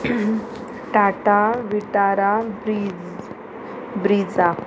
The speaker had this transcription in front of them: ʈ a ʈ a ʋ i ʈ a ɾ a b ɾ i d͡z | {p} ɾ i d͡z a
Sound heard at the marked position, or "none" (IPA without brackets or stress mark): b